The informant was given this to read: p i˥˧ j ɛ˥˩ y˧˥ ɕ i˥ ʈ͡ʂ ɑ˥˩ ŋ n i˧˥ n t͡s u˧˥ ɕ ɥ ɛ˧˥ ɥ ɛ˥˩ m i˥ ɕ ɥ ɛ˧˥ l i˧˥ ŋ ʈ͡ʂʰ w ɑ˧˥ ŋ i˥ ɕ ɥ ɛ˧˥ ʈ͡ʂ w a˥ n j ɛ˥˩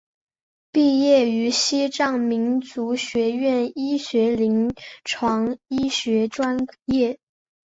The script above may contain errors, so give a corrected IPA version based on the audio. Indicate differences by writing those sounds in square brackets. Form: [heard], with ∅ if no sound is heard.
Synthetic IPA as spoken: p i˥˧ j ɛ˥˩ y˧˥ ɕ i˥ ʈ͡ʂ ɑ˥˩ ŋ [m] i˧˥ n t͡s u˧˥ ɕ ɥ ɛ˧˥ ɥ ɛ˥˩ [n] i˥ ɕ ɥ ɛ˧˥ l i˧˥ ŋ ʈ͡ʂʰ w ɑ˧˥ ŋ i˥ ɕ ɥ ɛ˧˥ ʈ͡ʂ w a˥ n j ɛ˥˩